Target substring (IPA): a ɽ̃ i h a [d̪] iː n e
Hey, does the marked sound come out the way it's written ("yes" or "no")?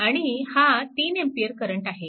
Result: no